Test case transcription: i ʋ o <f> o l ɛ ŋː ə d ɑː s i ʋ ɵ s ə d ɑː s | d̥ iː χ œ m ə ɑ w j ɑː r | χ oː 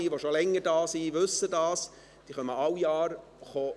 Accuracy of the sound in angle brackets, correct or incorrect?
incorrect